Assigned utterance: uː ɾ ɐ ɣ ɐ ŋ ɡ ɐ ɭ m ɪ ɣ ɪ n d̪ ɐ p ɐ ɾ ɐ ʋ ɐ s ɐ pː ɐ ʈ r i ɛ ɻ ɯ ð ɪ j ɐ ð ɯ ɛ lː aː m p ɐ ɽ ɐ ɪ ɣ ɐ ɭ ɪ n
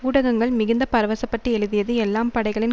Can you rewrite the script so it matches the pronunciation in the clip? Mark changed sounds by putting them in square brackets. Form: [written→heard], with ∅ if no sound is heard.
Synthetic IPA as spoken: uː [ɾ→ɽ] ɐ ɣ ɐ ŋ ɡ ɐ ɭ m ɪ ɣ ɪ n d̪ ɐ p ɐ ɾ ɐ ʋ ɐ s ɐ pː ɐ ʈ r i ɛ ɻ ɯ ð ɪ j ɐ ð ɯ ɛ lː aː m p ɐ ɽ ɐ ɪ ɣ ɐ ɭ ɪ n

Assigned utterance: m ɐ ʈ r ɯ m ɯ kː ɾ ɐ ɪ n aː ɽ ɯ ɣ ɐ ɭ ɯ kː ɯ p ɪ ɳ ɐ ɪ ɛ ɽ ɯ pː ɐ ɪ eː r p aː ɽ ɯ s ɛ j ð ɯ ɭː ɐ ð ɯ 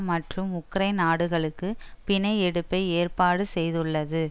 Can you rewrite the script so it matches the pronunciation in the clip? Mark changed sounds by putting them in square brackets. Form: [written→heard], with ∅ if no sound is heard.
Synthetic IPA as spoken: m ɐ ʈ r ɯ m [ɯ→ʊ] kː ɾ ɐ ɪ n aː ɽ ɯ ɣ ɐ ɭ ɯ kː ɯ p ɪ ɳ ɐ ɪ ɛ ɽ ɯ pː ɐ ɪ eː r p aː ɽ ɯ s ɛ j ð ɯ ɭː ɐ ð ɯ

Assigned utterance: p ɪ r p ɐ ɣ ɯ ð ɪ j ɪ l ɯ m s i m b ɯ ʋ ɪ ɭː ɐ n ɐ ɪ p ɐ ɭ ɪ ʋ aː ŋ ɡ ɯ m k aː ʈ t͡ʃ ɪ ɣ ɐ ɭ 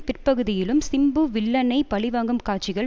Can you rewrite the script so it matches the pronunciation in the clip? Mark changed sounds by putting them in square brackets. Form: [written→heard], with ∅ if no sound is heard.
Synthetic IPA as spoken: p ɪ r p ɐ ɣ ɯ ð ɪ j ɪ l ɯ m s [i→ɪ] m b ɯ ʋ ɪ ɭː ɐ n ɐ ɪ p ɐ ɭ ɪ ʋ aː ŋ ɡ ɯ m k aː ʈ t͡ʃ ɪ ɣ ɐ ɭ

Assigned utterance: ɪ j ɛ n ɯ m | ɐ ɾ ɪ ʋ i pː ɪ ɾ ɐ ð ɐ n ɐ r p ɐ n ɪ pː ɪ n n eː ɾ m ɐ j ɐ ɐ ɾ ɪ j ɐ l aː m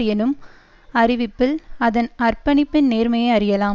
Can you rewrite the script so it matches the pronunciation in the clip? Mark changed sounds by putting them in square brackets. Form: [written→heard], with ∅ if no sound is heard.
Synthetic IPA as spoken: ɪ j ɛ n ɯ m | ɐ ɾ ɪ ʋ [i→ɪ] pː ɪ [ɾ→l] ɐ ð ɐ n ɐ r p ɐ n ɪ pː ɪ n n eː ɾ m ɐ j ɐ ɐ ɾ ɪ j ɐ l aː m

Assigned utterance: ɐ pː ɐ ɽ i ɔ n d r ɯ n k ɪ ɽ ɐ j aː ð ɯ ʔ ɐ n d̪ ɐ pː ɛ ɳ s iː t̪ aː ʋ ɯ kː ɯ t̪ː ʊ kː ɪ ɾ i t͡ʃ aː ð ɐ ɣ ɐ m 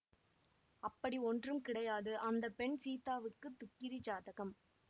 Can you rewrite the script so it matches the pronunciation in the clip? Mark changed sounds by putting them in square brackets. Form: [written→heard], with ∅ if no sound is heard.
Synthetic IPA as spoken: ɐ pː ɐ ɽ i ɔ n d r ɯ [n→m] k ɪ ɽ ɐ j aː ð ɯ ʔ ɐ n d̪ ɐ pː ɛ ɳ s iː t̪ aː ʋ ɯ kː ɯ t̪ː ʊ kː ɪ ɾ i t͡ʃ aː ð ɐ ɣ ɐ m

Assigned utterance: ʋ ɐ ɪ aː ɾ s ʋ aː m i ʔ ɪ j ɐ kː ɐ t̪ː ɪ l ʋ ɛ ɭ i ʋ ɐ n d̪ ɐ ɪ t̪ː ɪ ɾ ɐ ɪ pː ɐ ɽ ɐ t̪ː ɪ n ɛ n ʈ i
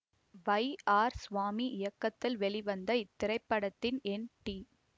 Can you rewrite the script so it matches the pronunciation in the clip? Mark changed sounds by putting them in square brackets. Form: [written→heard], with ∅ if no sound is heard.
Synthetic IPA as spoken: ʋ ɐ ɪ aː ɾ s ʋ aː m i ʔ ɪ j ɐ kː ɐ t̪ː ɪ l ʋ ɛ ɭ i ʋ ɐ n d̪ ɐ ɪ t̪ː ɪ ɾ ɐ ɪ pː ɐ ɽ ɐ t̪ː ɪ n ɛ n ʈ i

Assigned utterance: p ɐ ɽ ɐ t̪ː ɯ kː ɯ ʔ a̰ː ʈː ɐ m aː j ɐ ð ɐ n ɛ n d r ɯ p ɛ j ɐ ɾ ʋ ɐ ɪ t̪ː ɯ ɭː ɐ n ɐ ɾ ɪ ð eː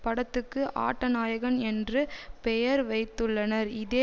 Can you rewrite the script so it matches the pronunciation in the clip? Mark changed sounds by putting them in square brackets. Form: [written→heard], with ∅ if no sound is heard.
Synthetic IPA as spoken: p ɐ ɽ ɐ t̪ː ɯ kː ɯ ʔ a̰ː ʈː ɐ [m→n] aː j ɐ [ð→ɣ] ɐ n ɛ n d r ɯ p ɛ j ɐ ɾ ʋ ɐ ɪ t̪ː ɯ ɭː ɐ n ɐ ɾ ɪ ð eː

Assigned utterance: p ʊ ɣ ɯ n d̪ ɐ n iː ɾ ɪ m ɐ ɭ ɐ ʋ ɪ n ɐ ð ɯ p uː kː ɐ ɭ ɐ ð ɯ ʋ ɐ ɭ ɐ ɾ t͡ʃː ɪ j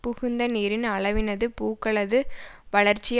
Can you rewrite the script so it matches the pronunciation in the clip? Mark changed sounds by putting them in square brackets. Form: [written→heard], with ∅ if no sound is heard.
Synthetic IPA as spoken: p ʊ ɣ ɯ n d̪ ɐ n iː ɾ ɪ [m→n] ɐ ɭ ɐ ʋ ɪ n ɐ ð ɯ p uː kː ɐ ɭ ɐ ð ɯ ʋ ɐ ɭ ɐ ɾ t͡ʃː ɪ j

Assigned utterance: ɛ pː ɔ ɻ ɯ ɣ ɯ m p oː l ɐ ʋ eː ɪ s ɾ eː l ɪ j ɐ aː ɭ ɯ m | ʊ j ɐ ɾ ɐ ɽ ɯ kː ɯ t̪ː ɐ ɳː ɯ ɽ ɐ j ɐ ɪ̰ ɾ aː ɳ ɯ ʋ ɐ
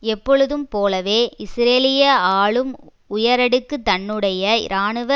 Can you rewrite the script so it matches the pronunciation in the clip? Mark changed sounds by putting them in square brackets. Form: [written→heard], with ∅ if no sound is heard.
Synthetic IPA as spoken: ɛ pː ɔ ɻ ɯ [ɣ→ð] ɯ m p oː l ɐ ʋ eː ɪ s ɾ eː l ɪ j ɐ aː ɭ ɯ m | ʊ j ɐ ɾ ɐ ɽ ɯ kː ɯ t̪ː ɐ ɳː ɯ ɽ ɐ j ɐ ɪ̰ ɾ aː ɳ ɯ ʋ ɐ

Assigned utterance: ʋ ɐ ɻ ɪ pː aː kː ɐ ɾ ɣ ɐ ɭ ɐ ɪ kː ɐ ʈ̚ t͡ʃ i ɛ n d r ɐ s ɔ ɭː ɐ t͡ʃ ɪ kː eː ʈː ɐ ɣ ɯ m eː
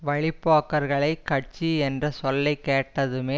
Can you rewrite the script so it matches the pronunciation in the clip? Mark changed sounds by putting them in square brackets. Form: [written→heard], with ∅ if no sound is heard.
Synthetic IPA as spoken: ʋ ɐ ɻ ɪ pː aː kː ɐ ɾ ɣ ɐ ɭ ɐ ɪ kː ɐ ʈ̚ t͡ʃ i ɛ n d r ɐ s ɔ [ɭː→lː] ɐ [t͡ʃ→∅] ɪ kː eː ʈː ɐ [ɣ→ð] ɯ m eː

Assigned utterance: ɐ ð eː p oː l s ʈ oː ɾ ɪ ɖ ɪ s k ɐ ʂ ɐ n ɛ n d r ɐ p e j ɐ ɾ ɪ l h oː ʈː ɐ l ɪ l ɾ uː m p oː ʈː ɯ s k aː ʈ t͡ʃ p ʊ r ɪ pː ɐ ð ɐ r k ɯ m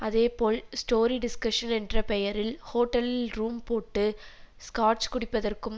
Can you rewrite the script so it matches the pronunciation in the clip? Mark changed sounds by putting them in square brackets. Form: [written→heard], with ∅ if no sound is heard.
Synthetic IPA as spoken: ɐ ð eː p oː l s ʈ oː ɾ [ɪ→i] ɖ ɪ s k ɐ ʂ ɐ n ɛ n d r ɐ p [e→ɛ] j ɐ ɾ ɪ l h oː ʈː ɐ l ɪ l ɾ uː m p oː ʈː ɯ s k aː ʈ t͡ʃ [p→k] ʊ [r→ɽ] ɪ pː ɐ ð ɐ r k ɯ m

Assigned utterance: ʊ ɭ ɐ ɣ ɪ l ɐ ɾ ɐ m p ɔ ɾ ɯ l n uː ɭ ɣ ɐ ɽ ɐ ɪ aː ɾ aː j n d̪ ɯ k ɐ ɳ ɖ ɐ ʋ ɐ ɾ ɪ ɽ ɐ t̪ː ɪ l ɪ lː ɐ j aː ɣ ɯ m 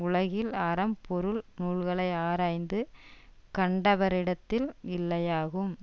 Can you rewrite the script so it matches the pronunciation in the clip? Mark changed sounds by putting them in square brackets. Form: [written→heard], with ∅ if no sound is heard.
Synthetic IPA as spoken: ʊ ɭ ɐ ɣ ɪ l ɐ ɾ ɐ m p ɔ ɾ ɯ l n uː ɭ ɣ ɐ [ɽ→ɭ] ɐ ɪ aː ɾ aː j n d̪ ɯ k ɐ ɳ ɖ ɐ ʋ ɐ ɾ ɪ ɽ ɐ t̪ː ɪ l ɪ lː ɐ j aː ɣ ɯ m

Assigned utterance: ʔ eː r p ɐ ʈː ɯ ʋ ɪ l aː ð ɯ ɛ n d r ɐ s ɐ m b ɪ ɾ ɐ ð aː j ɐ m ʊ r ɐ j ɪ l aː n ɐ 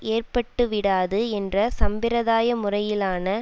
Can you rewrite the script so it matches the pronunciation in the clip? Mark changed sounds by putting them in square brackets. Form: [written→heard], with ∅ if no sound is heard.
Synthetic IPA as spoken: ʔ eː r p ɐ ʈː ɯ ʋ ɪ [l→ɽ] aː ð ɯ ɛ n d r ɐ s ɐ m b ɪ ɾ ɐ ð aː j ɐ m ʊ r ɐ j ɪ l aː n ɐ

